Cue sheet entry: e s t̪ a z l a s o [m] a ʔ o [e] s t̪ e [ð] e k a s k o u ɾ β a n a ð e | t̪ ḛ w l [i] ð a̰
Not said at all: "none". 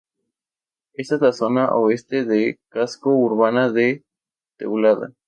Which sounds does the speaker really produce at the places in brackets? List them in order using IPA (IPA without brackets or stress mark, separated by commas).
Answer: n, e, ð, a